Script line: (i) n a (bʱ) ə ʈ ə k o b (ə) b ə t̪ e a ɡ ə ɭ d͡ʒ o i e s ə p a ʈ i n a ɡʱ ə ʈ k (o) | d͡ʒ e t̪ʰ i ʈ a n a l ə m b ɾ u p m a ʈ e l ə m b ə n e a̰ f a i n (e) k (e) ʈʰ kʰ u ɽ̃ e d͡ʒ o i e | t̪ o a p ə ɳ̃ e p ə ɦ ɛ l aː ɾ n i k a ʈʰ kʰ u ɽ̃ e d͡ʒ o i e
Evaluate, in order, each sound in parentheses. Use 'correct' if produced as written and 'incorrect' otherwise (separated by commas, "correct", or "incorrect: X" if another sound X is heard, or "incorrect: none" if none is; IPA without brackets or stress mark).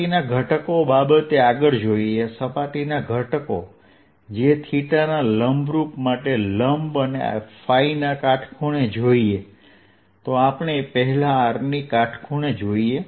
correct, incorrect: ɡʱ, incorrect: a, correct, incorrect: a, incorrect: a